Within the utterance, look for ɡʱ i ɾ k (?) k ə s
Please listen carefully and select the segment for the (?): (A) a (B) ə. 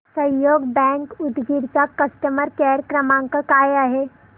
A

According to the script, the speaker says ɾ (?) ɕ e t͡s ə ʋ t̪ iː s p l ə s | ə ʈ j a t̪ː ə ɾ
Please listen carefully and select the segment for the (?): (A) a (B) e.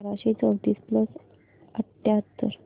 A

